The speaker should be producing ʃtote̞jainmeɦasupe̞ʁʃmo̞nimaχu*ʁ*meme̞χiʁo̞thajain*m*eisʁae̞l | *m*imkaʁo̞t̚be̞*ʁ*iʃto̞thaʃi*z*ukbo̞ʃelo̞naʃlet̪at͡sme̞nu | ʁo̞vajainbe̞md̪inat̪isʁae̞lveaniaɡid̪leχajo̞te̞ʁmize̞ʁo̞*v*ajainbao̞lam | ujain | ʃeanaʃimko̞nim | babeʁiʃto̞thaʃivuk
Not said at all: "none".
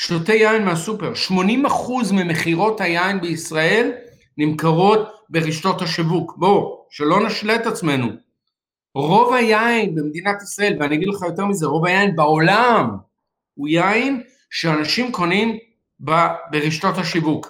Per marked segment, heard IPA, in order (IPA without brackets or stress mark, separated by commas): z, b, n, ʁ, v, v